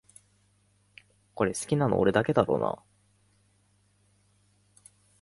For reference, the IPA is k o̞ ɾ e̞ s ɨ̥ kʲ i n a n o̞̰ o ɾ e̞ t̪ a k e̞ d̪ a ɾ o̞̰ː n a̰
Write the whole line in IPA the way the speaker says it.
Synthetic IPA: k o̞ ɾ e̞ s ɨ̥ kʲ i n a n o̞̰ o ɾ e̞ d̪ a k e̞ d̪ a ɾ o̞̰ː n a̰